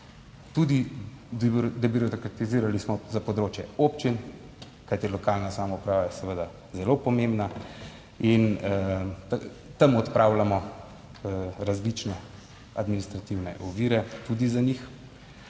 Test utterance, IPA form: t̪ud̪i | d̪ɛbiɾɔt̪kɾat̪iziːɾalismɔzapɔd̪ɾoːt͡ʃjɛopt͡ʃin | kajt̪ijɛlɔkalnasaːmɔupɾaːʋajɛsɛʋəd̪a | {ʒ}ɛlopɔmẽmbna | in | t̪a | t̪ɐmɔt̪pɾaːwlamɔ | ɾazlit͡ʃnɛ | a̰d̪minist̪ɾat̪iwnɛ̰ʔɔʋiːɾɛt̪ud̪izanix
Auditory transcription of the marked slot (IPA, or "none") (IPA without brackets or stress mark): z